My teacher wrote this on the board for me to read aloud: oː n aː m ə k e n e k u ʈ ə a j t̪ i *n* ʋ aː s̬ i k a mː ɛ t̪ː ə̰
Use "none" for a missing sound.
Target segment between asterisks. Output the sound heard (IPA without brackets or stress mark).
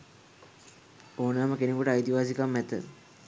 none